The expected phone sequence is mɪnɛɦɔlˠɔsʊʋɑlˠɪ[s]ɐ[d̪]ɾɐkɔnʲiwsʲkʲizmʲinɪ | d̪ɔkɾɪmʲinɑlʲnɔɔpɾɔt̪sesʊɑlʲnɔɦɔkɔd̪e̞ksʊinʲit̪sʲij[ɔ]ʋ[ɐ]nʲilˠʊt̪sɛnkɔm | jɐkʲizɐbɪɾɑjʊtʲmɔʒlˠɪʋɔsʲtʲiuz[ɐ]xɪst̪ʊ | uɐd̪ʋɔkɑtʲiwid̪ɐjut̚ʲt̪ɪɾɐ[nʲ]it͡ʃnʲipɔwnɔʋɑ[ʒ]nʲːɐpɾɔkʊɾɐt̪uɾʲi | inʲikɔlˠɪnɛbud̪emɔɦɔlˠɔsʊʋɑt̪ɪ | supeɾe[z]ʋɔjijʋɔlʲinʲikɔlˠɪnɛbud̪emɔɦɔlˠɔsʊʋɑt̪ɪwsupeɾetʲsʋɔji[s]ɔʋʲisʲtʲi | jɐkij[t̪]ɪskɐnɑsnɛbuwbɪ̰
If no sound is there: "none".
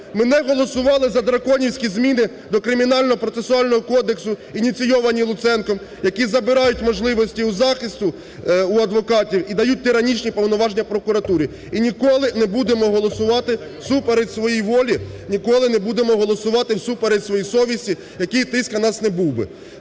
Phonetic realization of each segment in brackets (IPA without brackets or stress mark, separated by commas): z, d̪, ɔ, ɐ, ɑ, nʲ, ʒ, s, s, t̪